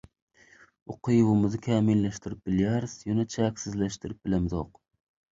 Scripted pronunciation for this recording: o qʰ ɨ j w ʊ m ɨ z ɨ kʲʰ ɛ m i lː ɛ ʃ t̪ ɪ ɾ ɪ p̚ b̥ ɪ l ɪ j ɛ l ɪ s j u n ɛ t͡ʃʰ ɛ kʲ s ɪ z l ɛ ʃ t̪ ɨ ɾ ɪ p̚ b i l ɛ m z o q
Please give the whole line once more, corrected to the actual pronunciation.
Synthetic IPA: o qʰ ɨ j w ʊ m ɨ z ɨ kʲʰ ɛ m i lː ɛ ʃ t̪ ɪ ɾ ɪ p̚ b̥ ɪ l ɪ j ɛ ɾ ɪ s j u n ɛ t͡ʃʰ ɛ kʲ s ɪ z l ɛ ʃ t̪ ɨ ɾ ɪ p̚ b ɪ l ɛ m z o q